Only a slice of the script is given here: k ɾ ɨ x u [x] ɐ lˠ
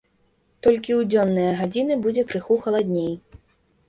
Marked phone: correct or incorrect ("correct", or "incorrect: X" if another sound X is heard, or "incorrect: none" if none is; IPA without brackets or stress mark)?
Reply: correct